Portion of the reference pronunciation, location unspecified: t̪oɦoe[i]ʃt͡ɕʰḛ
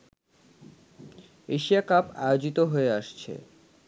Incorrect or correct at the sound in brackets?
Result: incorrect: a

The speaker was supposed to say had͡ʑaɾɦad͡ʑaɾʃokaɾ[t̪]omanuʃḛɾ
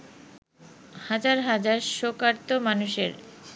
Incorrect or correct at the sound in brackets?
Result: correct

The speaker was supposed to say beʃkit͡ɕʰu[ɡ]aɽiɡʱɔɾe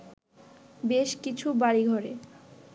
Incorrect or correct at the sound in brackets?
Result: incorrect: b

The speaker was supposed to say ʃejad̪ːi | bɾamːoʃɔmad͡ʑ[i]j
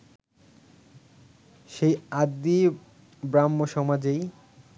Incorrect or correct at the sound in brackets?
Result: incorrect: e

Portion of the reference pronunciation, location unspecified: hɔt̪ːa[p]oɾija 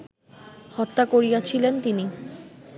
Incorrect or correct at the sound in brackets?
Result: incorrect: k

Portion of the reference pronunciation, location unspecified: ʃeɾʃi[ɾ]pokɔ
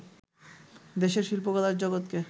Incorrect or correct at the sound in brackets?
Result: incorrect: l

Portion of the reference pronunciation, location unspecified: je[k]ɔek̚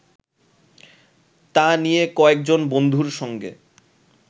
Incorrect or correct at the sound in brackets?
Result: correct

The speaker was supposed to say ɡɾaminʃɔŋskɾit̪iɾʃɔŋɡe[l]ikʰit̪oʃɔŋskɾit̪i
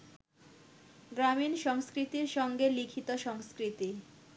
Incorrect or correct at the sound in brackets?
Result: correct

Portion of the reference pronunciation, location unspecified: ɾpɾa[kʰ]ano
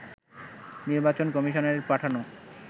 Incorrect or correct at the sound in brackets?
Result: incorrect: ʈʰ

